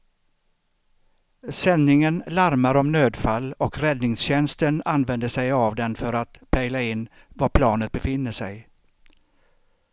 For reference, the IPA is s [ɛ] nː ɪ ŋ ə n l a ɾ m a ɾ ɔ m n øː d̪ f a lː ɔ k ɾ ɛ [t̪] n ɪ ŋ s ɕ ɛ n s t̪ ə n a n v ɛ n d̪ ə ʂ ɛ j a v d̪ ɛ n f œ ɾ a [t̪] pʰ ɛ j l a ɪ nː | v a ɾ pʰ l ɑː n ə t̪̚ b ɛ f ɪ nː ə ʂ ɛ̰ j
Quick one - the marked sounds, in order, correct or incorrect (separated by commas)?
correct, incorrect, correct